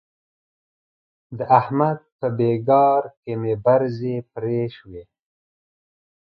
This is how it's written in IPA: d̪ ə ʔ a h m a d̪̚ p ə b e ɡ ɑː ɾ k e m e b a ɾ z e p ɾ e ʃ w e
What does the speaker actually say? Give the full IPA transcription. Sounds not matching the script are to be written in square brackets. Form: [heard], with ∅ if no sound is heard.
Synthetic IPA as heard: d̪ ə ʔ a h m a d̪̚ p ə b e ɡ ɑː ɾ k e m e b a ɾ z e p ɾ e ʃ w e